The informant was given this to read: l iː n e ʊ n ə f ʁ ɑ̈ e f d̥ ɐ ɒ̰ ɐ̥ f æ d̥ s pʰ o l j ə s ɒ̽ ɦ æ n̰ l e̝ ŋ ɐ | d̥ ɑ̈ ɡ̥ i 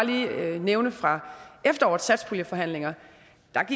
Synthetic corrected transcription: l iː n e ʊ n ə f ʁ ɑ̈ e f d̥ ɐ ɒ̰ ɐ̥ s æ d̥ s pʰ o l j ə f ɒ̽ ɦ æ n̰ l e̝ ŋ ɐ | d̥ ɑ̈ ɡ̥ i